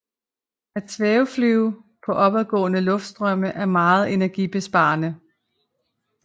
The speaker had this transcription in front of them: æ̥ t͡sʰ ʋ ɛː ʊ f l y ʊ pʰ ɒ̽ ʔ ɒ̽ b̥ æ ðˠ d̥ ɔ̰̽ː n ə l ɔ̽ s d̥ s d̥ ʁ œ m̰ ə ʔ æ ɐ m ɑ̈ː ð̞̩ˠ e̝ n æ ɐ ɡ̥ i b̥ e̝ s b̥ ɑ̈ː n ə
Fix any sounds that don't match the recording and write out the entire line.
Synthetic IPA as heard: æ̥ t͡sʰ ʋ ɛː ʊ f l y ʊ pʰ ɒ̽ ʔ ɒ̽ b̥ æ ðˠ ɡ̥ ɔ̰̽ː n ə l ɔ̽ f d̥ s d̥ ʁ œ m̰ ə ʔ æ ɐ m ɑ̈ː ð̞̩ˠ e̝ n æ ɐ ɡ̥ i b̥ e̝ s b̥ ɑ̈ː n ə